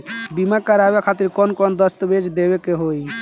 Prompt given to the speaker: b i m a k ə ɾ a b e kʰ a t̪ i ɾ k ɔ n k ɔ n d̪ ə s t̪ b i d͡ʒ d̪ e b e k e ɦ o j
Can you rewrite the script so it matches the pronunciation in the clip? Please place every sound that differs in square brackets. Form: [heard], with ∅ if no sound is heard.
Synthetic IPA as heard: b i m a k ə ɾ a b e kʰ a t̪ i ɾ k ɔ n k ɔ n d̪ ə s t̪ b [e] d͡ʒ d̪ e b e k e ɦ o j